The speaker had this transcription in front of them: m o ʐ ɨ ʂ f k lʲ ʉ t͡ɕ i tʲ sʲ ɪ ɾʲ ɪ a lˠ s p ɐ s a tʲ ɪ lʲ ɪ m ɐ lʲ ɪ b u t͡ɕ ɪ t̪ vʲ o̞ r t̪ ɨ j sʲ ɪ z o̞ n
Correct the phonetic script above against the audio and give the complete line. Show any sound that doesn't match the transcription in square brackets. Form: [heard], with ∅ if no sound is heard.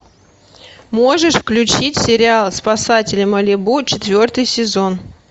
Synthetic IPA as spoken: m o ʐ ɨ ʂ f k lʲ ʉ t͡ɕ i tʲ sʲ ɪ ɾʲ ɪ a lˠ s p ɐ s a tʲ ɪ lʲ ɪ m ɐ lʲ ɪ b u t͡ɕ ɪ t̪ vʲ o̞ r t̪ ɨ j sʲ ɪ z o̞ n